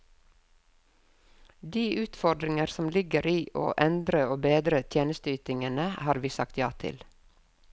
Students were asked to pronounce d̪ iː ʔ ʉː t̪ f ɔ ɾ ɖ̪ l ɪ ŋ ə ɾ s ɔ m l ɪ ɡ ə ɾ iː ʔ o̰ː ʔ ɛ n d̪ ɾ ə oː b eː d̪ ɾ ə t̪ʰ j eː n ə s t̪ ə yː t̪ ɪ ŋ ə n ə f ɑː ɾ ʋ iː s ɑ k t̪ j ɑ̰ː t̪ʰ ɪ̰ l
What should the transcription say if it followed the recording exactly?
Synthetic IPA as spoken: d̪ iː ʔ ʉː t̪ f ɔ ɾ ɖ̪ ɾ ɪ ŋ ə ɾ s ɔ m l ɪ ɡ ə ɾ iː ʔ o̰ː ʔ ɛ n d̪ ɾ ə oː b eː d̪ ɾ ə t̪ʰ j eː n ə s t̪ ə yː t̪ ɪ ŋ ə n ə h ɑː ɾ ʋ iː s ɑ k t̪ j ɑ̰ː t̪ʰ ɪ̰ l